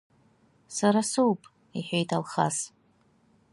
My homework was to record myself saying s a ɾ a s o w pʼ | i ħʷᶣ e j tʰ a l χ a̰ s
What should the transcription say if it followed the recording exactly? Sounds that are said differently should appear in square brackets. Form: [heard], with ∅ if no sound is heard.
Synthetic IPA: s a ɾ a s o w pʼ | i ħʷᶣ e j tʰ a l χ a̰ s